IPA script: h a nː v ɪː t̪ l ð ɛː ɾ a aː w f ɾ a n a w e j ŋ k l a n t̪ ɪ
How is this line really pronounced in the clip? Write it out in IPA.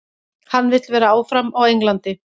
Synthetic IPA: h a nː v ɪ t̪ l v ɛː ɾ a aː w f ɾ a m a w e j ŋ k l a n t̪ ɪ